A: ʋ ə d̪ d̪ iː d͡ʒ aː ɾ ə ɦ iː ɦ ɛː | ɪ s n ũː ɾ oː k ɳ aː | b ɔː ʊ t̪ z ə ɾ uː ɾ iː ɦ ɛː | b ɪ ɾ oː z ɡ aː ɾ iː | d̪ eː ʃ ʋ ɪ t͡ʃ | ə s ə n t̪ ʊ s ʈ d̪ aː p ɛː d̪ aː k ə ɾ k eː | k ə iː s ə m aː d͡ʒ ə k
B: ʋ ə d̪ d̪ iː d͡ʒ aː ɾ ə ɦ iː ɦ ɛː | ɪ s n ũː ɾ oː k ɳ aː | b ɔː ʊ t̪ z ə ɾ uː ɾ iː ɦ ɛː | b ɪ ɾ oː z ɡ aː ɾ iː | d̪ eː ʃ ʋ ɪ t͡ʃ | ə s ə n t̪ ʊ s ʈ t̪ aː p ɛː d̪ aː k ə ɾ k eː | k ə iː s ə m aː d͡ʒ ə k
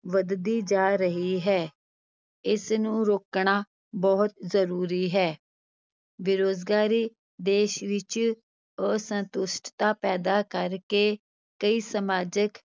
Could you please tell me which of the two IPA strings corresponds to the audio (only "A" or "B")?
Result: B